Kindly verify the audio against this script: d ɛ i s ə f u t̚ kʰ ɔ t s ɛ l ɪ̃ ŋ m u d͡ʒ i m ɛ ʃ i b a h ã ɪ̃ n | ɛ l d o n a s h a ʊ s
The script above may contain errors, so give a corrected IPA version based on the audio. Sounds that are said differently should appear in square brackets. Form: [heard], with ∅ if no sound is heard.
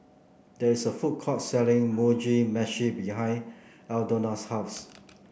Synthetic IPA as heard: d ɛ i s ə f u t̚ kʰ ɔ t s ɛ l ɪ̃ ŋ m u d͡ʒ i m ɛ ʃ i b [i] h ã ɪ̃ n | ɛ l d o n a s h a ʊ s